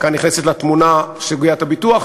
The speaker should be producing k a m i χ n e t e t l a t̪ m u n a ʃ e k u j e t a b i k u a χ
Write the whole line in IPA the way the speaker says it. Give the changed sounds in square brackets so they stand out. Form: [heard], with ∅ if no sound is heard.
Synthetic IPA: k a [n] i χ n e [s] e t l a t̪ m u n a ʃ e [ɡ] u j [a] t a b i [t] u a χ

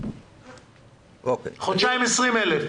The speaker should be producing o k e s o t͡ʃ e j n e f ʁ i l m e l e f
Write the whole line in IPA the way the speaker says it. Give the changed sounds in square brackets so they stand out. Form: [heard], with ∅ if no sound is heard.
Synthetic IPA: o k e [χ] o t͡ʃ [a] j [m] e [s] ʁ i [∅] m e l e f

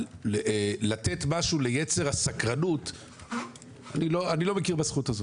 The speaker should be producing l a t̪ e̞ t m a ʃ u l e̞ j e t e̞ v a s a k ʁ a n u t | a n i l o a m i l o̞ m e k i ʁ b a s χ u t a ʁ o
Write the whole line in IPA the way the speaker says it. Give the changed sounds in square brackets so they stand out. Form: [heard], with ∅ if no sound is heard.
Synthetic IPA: l a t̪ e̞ t m a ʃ u l e̞ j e [t͡s] e̞ [ʁ] a s a k ʁ a n u t | a n i l o a [n] i l o̞ m e k i ʁ b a s χ u t a [z] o

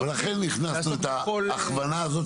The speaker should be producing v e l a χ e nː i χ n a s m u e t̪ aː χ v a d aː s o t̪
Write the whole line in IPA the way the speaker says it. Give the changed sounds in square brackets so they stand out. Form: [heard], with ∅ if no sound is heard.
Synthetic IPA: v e l a χ e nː i χ n a s [n] u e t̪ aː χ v a [n] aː [z] o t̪

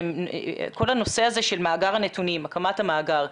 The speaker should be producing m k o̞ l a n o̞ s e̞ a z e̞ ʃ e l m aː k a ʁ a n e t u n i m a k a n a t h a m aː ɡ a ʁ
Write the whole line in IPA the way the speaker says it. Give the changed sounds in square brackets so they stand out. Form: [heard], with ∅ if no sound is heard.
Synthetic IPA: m k o̞ l a n o̞ s e̞ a z e̞ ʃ e l m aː [ɡ] a ʁ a n e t u n i m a k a [m] a t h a m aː ɡ a ʁ

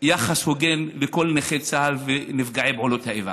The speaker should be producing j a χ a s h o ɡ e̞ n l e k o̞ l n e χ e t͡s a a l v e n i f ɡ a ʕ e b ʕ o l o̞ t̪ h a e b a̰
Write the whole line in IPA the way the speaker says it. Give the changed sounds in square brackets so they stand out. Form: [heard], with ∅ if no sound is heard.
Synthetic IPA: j a χ a s h o ɡ e̞ n l e k o̞ l n e χ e t͡s a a l v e n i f ɡ a ʕ e b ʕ o l o̞ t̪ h a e [v] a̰

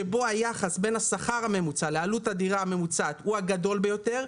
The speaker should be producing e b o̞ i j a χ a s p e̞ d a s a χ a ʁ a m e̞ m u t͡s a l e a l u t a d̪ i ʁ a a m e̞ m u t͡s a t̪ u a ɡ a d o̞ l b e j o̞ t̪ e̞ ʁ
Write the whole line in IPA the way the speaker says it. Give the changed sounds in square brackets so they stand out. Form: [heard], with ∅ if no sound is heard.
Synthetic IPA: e b o̞ [a] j a χ a s [b] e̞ [n] a s a χ a ʁ a m e̞ m u t͡s a l e a l u t a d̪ i ʁ a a m e̞ m u t͡s a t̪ u a ɡ a d o̞ l b e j o̞ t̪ e̞ ʁ

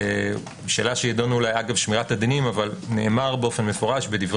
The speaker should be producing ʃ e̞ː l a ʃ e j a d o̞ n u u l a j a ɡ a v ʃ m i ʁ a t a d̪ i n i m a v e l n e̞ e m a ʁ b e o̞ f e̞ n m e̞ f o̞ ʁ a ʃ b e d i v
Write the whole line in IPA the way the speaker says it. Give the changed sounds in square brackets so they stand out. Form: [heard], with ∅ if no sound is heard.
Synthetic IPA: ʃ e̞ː l a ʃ e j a d o̞ n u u l a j a ɡ a v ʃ m i ʁ a t a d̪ i n i m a v [a] l n e̞ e m a ʁ b e o̞ f e̞ n m e̞ f o̞ ʁ a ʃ b e d i v

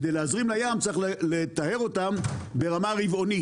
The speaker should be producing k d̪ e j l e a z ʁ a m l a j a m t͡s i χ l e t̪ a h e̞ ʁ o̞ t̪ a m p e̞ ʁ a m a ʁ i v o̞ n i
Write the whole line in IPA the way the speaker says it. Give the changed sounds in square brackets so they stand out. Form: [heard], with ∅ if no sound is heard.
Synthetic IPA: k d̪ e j l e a z ʁ [i] m l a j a m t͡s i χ l e t̪ a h e̞ ʁ o̞ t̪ a m [b] e̞ ʁ a m a ʁ i v o̞ n i

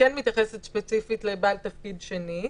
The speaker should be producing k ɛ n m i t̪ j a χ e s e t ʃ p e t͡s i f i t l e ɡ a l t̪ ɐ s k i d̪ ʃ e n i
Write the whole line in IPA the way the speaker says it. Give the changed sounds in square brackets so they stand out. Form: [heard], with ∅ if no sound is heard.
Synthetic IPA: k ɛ n m i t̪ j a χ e s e t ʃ p e t͡s i f i t l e [b] a l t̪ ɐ [f] k i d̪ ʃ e n i

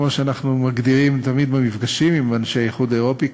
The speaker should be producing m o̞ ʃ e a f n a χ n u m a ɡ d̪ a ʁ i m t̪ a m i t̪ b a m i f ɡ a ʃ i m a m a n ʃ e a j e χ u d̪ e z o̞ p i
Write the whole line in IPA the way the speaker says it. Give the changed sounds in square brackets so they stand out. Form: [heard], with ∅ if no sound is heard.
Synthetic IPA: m o̞ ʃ e a [∅] n a χ n u m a ɡ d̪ [i] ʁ i m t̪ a m i [d̪] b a m i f ɡ a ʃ i m [i] m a n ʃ e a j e χ u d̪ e [ʁ] o̞ p i

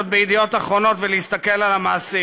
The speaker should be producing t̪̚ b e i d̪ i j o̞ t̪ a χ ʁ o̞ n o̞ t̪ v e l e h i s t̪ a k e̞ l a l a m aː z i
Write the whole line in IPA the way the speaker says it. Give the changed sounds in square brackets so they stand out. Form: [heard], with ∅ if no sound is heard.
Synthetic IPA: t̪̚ b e i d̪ i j o̞ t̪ a χ ʁ o̞ n o̞ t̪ v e l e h i s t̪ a k e̞ l a l a m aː [s] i

